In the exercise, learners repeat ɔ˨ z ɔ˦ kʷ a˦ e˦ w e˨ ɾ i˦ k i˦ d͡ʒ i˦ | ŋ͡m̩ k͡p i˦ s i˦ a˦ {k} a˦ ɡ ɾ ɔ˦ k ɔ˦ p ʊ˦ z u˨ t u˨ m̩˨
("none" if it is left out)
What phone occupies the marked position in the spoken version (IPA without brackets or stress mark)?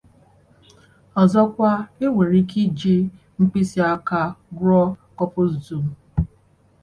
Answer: k